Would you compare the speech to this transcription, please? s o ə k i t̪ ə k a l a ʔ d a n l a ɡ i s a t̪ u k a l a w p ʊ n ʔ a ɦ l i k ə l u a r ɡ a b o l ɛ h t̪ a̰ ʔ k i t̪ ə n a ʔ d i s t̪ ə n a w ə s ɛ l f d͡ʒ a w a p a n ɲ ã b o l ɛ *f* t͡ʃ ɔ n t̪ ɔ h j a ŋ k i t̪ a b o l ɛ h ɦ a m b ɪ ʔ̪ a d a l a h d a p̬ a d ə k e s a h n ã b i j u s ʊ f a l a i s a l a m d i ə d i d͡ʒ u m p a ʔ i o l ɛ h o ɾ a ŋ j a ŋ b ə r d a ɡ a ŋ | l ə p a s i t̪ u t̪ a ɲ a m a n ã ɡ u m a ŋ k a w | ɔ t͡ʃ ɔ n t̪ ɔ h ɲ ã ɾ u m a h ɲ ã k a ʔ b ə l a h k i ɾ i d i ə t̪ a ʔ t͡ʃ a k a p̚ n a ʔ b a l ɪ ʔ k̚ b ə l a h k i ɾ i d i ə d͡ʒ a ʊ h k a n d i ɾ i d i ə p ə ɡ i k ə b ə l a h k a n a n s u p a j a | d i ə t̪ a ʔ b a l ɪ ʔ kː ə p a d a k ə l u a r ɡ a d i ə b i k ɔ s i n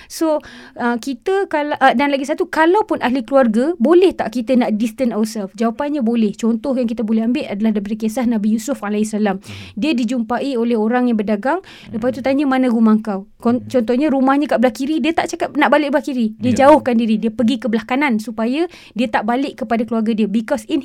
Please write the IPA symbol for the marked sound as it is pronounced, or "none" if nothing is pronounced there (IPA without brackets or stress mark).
h